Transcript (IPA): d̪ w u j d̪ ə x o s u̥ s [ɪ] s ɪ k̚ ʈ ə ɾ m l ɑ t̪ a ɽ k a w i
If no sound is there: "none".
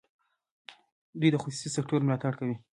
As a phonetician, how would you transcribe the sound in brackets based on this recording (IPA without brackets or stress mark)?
i